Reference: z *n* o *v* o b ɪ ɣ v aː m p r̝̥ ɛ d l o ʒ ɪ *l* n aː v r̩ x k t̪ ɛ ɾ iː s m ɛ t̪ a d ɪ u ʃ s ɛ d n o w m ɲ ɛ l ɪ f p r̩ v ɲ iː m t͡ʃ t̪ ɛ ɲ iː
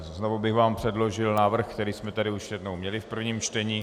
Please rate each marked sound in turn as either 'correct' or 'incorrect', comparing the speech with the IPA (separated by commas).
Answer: correct, correct, correct